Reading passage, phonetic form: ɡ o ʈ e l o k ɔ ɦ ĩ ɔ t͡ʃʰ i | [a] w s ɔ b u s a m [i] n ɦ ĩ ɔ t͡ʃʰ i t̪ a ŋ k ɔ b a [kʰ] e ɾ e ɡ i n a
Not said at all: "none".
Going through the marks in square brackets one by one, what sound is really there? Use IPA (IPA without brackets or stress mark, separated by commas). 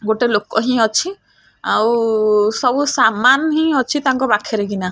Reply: a, a, kʰ